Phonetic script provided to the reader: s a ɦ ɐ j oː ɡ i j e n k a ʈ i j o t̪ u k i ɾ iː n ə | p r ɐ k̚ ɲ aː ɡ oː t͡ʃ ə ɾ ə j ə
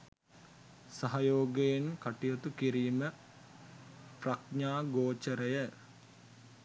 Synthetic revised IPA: s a ɦ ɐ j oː ɡ e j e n k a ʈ i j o t̪ u k i ɾ iː m ə | p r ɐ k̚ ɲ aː ɡ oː t͡ʃ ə ɾ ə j ə

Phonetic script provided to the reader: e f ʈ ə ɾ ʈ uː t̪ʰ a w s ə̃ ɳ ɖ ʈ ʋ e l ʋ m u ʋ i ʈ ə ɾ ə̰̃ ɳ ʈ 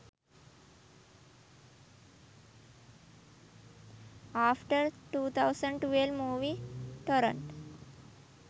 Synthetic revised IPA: a f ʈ ə ɾ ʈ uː t̪ʰ a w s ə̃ ɳ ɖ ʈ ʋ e l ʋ m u ʋ i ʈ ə ɾ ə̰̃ ɳ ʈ

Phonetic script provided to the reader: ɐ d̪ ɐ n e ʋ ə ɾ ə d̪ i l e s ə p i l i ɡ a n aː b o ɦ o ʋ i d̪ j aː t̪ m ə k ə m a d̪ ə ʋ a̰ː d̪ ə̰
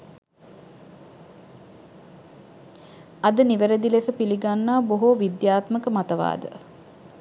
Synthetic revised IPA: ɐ d̪ ə n i ʋ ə ɾ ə d̪ i l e s ə p i l i ɡ a nː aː b o ɦ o ʋ i d̪ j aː t̪ m ə k ə m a t̪ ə ʋ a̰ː d̪ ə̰

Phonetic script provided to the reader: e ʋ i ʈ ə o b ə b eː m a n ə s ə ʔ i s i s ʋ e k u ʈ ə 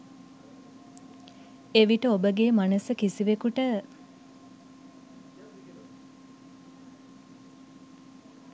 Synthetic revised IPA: e ʋ i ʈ ə o b ə ɡ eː m a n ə s ə k i s i ʋ e k u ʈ ə

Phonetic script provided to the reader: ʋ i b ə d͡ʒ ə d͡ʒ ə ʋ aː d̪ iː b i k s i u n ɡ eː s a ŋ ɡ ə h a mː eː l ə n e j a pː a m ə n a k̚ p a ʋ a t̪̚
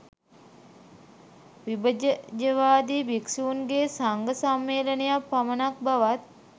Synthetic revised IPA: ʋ i b ə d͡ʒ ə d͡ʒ ə ʋ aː d̪ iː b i k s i u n ɡ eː s a ŋ ɡ ə s a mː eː l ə n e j a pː a m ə n a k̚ b a ʋ a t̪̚

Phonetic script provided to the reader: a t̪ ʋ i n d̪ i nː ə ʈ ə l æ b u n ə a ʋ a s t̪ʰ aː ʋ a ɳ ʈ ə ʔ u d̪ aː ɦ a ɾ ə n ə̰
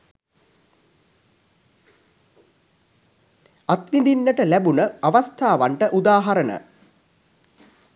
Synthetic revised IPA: a t̪ ʋ i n d̪ i nː ə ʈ ə l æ b u n ə a ʋ a s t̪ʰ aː ʋ a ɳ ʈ ə ʔ u d̪ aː ɦ a ɾ ə n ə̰

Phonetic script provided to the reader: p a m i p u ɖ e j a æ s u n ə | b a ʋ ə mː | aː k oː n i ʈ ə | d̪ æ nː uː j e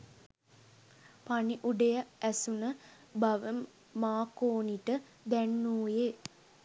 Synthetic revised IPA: p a n i ʔ u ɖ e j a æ s u n ə | b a ʋ ə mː | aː k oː n i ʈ ə | d̪ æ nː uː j e

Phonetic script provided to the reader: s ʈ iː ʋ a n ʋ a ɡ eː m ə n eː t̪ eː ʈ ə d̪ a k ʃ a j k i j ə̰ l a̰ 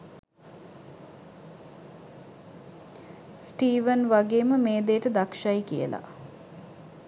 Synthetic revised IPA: s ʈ iː ʋ ə n ʋ a ɡ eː m ə m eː d̪ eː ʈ ə d̪ a k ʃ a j k i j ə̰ l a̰

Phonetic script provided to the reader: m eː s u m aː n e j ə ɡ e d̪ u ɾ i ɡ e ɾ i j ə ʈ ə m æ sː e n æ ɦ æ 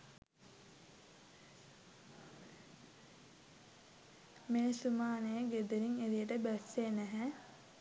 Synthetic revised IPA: m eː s u m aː n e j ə ɡ e d̪ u ɾ i ŋ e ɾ i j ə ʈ ə b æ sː e n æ ɦ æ

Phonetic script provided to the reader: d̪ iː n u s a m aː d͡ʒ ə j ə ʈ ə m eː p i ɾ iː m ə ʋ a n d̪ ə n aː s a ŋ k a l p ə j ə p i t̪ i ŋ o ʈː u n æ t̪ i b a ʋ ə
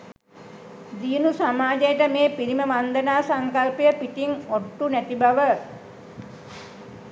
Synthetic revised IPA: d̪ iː n u s a m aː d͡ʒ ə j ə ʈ ə m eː p i ɾ i m ə ʋ a n d̪ ə n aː s a ŋ k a l p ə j ə p i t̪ i ŋ o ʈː u n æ t̪ i b a ʋ ə

